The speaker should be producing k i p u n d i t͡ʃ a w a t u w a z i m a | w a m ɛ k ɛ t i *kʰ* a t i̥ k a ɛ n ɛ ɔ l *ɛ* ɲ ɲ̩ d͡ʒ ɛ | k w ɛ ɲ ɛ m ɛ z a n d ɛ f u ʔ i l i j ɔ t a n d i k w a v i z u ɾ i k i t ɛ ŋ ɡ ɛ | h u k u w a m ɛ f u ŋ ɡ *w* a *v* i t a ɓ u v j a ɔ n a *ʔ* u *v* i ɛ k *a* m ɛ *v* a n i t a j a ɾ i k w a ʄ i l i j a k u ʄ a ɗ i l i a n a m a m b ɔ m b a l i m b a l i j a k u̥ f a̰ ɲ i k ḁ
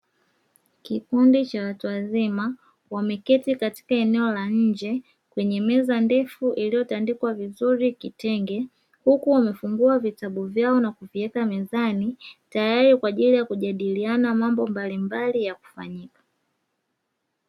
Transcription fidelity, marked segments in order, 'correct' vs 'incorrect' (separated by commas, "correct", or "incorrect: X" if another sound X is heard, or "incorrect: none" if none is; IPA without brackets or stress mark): incorrect: k, incorrect: a, incorrect: u, correct, incorrect: k, correct, correct, incorrect: z